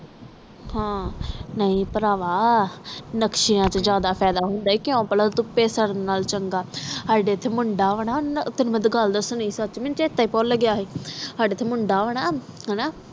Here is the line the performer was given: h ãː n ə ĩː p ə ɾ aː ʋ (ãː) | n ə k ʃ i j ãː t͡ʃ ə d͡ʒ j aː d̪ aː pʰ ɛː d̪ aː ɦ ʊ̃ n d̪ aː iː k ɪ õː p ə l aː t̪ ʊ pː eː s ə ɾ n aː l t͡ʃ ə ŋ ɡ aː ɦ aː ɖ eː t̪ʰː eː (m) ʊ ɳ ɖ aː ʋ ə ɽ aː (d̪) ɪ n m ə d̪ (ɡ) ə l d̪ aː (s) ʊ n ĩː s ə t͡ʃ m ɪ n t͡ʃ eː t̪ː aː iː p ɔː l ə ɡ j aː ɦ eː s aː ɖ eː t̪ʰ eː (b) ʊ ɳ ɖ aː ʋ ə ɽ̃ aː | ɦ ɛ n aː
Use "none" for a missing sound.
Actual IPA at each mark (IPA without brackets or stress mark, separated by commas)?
aː, m, t̪, ɡ, s, m